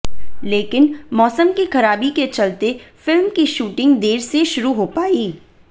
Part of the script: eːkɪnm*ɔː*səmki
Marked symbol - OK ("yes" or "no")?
yes